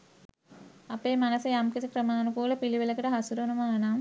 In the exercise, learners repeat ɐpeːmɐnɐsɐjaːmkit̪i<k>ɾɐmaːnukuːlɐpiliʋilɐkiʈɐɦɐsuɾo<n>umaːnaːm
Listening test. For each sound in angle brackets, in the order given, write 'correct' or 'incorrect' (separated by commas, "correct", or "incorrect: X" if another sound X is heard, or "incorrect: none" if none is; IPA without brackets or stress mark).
correct, correct